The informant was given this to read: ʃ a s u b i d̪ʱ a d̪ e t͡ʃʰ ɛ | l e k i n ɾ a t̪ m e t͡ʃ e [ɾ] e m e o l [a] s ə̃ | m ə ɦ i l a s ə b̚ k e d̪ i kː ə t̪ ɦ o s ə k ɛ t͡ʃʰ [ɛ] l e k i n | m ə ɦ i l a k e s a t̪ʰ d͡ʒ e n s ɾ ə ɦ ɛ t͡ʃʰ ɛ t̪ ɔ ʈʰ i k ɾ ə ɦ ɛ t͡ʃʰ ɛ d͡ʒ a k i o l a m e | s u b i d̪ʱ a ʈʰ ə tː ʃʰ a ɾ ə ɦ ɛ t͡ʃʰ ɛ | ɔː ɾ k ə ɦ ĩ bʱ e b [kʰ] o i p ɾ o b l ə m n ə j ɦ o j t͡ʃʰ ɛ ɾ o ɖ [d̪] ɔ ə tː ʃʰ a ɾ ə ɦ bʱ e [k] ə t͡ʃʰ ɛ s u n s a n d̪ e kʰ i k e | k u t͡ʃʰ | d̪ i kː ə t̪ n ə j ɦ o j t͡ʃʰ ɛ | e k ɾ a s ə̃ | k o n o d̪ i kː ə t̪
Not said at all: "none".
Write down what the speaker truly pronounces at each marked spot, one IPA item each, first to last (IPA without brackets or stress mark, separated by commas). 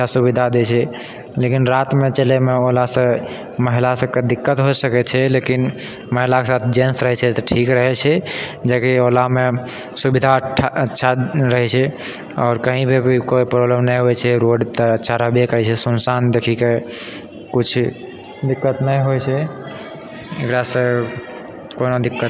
l, a, ɛ, k, t̪, k